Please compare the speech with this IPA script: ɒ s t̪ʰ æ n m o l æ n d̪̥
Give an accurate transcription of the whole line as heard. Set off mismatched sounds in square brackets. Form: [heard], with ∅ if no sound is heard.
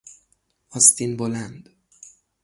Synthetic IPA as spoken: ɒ s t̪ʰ [i] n [b] o l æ n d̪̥